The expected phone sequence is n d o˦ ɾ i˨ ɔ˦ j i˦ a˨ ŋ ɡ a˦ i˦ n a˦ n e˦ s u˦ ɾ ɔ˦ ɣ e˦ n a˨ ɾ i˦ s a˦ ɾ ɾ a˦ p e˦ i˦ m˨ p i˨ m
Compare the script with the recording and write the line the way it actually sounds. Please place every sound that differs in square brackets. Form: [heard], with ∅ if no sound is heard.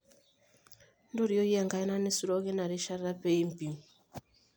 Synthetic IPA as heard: n d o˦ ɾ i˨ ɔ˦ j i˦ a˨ ŋ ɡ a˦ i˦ n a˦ n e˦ s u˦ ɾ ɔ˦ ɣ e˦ n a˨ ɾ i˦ [ʃ] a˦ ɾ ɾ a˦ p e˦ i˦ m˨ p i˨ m

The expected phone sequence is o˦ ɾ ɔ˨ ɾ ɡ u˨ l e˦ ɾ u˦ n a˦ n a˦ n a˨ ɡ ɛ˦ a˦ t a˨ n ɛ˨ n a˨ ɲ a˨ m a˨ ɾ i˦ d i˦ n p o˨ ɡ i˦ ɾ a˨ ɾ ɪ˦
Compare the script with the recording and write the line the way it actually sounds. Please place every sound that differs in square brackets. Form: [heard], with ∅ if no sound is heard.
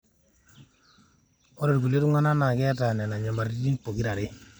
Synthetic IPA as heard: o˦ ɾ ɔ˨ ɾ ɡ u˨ l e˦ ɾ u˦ [ŋ] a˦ n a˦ n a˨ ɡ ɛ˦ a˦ t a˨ n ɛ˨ n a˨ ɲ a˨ m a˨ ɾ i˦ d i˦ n p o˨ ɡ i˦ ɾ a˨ ɾ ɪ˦

